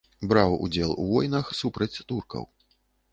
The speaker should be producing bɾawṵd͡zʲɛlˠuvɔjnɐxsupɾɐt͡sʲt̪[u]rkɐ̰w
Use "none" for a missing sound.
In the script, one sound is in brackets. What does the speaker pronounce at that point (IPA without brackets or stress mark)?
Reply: u